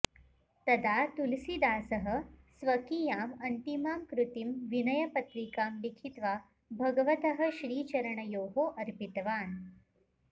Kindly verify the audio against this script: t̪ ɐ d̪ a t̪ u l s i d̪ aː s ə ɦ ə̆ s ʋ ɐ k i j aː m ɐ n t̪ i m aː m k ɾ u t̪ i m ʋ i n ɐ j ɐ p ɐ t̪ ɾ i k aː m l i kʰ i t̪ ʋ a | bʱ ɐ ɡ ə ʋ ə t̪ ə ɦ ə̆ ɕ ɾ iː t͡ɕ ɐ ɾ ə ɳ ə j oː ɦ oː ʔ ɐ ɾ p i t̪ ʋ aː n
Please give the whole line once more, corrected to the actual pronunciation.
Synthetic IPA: t̪ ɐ d̪ a t̪ u l s i d̪ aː s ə ɦ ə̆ s ʋ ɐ k i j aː m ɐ n t̪ i m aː m k ɾ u t̪ i m ʋ i n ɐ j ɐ p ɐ t̪ ɾ i k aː m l i kʰ i t̪ ʋ a | bʱ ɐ ɡ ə ʋ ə t̪ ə ɦ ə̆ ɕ ɾ iː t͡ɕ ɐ ɾ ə ɳ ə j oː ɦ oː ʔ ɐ ɾ p i t̪ ʋ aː n